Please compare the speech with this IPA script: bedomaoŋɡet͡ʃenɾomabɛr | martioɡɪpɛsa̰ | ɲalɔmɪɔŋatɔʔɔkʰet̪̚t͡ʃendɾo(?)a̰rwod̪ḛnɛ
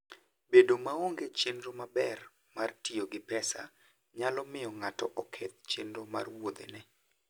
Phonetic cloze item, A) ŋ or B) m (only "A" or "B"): B